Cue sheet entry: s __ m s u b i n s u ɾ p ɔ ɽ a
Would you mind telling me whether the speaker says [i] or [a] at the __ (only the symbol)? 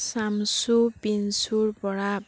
a